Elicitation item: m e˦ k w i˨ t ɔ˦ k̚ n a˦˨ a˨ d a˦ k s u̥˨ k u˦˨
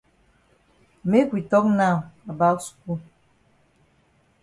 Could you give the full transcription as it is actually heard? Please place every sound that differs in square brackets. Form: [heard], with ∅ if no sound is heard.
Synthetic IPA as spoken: m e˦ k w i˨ t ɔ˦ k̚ n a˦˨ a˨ [b] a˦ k s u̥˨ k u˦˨